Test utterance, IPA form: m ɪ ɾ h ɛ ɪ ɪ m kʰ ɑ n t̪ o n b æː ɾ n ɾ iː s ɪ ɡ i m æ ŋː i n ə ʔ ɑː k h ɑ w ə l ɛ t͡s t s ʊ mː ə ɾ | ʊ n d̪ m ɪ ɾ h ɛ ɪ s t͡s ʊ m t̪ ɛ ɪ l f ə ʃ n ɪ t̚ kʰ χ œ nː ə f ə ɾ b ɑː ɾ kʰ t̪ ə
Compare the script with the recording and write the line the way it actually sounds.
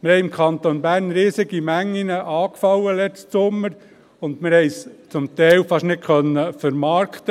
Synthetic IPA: m ɪ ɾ h ɛ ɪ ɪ m kʰ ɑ n t̪ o n b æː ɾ n ɾ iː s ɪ ɡ i m æ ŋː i n ə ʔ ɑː k f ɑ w ə l ɛ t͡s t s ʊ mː ə ɾ | ʊ n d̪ m ɪ ɾ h ɛ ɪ s t͡s ʊ m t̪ ɛ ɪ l f ɑ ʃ n ɪ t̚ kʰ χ œ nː ə f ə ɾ m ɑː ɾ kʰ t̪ ə